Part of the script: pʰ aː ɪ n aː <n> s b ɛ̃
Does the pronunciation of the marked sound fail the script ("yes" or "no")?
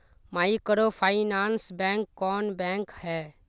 no